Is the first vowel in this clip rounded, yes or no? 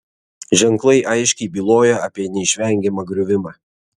no